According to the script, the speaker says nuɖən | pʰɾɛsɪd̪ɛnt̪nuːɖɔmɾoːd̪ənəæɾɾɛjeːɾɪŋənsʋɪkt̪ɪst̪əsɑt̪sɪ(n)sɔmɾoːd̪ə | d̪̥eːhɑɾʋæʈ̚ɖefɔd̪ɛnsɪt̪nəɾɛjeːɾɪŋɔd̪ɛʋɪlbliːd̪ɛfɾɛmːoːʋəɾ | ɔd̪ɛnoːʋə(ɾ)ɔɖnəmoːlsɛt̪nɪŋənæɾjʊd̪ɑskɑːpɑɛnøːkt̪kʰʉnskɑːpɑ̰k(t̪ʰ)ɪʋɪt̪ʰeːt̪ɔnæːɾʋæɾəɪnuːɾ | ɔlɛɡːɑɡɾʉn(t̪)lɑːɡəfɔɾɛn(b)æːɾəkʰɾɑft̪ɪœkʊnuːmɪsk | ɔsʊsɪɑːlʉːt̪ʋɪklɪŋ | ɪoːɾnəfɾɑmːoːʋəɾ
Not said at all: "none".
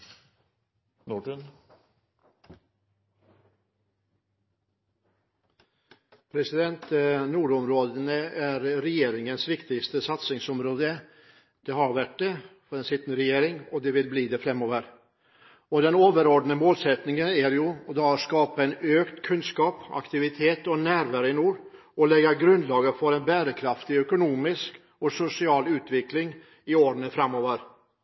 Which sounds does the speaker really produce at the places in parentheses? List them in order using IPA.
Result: ŋ, ɾ, t̪, d̪, b

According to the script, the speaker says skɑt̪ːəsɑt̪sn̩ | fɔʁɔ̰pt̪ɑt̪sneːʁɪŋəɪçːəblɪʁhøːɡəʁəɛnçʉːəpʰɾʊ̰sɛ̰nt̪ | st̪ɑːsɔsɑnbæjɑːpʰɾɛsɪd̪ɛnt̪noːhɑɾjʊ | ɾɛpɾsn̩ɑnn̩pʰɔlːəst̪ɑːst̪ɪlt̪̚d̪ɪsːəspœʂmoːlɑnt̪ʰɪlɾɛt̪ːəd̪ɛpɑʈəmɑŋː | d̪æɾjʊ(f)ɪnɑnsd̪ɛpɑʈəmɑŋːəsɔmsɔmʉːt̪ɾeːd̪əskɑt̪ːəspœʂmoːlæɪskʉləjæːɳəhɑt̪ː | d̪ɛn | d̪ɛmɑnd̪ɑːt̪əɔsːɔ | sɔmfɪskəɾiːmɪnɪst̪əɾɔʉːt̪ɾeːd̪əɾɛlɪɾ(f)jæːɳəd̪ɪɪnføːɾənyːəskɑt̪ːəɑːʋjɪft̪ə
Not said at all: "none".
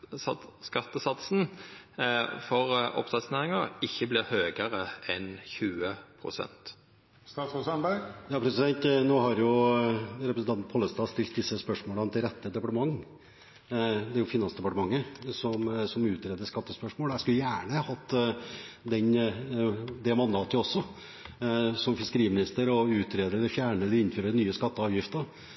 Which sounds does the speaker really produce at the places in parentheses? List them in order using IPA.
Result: f, f

